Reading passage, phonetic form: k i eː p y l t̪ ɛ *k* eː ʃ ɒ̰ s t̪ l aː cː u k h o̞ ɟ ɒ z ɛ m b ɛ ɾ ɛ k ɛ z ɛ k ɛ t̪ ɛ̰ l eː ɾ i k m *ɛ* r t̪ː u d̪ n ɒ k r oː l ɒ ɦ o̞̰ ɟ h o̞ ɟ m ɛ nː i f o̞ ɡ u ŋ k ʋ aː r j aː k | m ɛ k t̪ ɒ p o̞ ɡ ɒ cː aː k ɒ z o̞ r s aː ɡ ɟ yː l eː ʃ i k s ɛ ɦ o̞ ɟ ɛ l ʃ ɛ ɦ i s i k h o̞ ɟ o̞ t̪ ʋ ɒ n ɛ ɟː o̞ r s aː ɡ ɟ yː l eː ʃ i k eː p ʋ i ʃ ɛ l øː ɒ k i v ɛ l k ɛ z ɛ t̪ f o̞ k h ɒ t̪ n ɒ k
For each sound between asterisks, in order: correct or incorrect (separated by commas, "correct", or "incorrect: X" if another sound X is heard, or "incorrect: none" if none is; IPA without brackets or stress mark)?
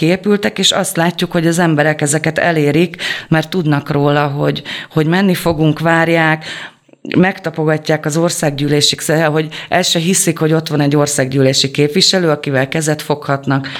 correct, correct